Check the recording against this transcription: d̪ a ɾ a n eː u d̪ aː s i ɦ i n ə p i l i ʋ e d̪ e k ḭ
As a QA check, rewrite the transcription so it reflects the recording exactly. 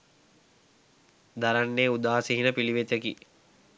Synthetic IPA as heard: d̪ a ɾ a nː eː u d̪ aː s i ɦ i n ə p i l i ʋ e t̪ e k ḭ